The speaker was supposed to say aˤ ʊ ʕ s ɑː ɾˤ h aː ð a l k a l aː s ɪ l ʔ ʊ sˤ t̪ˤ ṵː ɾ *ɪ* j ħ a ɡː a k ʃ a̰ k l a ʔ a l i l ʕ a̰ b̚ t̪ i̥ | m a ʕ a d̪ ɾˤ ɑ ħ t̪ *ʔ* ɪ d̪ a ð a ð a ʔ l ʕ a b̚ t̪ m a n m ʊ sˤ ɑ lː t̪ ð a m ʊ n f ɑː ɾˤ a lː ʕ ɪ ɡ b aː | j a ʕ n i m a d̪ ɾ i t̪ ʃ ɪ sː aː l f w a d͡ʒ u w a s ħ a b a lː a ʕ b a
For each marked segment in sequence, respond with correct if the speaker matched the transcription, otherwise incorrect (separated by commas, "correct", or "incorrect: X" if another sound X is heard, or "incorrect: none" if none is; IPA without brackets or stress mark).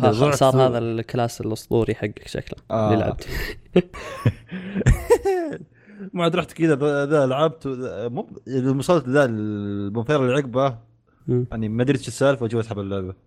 incorrect: i, incorrect: k